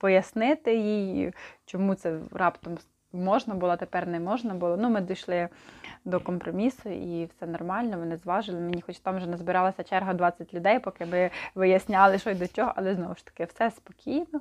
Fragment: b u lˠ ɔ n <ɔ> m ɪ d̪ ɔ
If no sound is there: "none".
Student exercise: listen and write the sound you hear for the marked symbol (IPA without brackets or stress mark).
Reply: u